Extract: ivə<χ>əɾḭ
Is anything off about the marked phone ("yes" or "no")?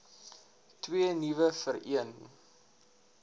yes